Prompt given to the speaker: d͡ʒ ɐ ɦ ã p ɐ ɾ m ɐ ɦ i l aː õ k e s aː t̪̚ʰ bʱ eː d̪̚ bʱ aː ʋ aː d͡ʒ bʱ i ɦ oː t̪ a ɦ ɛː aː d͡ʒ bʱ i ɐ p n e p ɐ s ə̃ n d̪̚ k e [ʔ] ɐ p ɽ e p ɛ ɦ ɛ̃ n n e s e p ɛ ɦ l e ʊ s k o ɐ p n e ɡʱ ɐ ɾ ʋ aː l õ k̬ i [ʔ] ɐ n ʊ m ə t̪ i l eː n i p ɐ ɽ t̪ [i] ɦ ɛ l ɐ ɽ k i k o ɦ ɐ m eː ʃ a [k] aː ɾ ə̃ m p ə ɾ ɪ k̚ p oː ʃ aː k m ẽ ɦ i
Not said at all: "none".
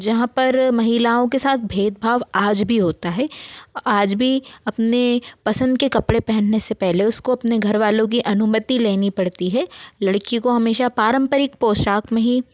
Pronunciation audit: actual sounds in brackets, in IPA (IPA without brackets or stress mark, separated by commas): k, ʔ, i, p